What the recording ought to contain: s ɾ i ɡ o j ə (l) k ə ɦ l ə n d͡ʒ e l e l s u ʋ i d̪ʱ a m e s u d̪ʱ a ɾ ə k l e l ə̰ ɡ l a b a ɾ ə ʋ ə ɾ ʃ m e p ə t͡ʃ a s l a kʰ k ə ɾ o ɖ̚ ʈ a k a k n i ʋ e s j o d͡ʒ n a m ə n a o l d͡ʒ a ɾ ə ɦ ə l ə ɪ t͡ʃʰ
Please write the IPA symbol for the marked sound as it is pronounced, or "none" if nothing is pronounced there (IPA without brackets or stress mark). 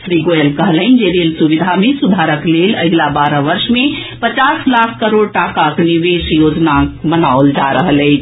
l